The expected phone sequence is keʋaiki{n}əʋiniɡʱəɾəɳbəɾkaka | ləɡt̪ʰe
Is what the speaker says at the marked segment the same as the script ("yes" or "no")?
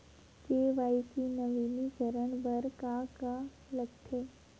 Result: yes